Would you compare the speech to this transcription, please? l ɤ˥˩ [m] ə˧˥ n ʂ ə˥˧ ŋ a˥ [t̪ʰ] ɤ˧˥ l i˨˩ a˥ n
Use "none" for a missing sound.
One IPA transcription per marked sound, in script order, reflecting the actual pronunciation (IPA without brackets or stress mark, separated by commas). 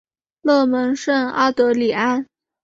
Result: m, t̪